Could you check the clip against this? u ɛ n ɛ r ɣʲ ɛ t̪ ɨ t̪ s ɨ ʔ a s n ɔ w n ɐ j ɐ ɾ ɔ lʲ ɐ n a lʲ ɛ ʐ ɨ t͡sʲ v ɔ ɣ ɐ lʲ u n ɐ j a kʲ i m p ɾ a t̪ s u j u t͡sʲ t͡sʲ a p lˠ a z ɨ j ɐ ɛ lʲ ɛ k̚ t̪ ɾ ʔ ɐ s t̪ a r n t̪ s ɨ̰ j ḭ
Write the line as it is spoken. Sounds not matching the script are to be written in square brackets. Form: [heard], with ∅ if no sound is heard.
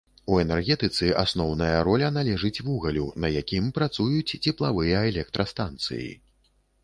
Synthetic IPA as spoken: u ɛ n ɛ r ɣʲ ɛ t̪ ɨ t̪ s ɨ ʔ a s n ɔ w n ɐ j ɐ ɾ ɔ lʲ ɐ n a lʲ ɛ ʐ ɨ t͡sʲ v [u] ɣ ɐ lʲ u n ɐ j a kʲ i m p ɾ a t̪ s u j u t͡sʲ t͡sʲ [ɛ] p lˠ a [v] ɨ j ɐ ɛ lʲ ɛ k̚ t̪ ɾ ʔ ɐ s t̪ a [∅] n t̪ s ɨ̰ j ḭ